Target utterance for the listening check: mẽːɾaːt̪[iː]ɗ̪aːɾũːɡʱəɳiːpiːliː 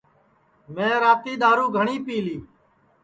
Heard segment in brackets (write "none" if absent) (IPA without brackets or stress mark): iː